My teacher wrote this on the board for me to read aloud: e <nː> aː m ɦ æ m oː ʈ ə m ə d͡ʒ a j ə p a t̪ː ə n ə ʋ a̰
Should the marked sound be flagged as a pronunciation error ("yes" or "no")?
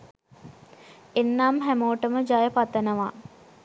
no